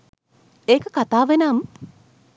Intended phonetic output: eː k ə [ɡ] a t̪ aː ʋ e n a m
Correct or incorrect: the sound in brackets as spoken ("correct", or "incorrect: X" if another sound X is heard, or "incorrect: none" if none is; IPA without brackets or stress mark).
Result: incorrect: k